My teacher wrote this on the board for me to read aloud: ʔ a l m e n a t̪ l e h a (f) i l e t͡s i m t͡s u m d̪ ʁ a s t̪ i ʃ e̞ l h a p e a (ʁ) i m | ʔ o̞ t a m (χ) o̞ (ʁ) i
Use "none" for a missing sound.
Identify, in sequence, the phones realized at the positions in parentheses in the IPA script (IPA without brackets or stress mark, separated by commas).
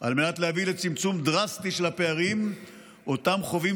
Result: v, ʁ, χ, v